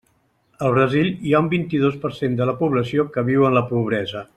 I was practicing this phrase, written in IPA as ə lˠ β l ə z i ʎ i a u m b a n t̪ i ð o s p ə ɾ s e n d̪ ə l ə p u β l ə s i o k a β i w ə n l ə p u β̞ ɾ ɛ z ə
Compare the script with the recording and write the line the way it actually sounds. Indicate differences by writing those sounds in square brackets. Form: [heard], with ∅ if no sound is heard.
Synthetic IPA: ə lˠ β [ɾ] ə z i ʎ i a u m b [i] n t̪ i ð o s p ə ɾ s e n d̪ ə l ə p u β l ə s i o k [ə] β i w ə n l ə p u β̞ ɾ ɛ z ə